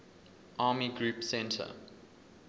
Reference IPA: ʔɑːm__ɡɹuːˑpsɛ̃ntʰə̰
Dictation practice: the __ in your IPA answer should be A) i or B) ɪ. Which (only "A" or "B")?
A